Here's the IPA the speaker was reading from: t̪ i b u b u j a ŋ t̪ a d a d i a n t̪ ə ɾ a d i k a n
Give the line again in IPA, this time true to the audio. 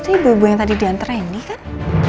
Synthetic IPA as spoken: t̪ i b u b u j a ŋ t̪ a d i d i a n t̪ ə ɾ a n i k a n